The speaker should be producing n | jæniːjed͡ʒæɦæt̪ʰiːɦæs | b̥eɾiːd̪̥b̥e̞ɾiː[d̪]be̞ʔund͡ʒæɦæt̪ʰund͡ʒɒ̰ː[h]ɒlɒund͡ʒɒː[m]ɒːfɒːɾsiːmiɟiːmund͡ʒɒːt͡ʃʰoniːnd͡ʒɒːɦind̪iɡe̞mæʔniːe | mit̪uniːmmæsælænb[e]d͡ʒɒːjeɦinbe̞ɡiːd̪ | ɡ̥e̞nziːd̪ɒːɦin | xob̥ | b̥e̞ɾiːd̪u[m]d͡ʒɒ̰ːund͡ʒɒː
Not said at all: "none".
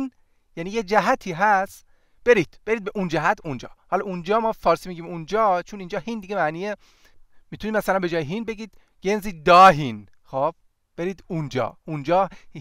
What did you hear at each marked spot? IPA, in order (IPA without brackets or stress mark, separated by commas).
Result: d̪, h, m, e, n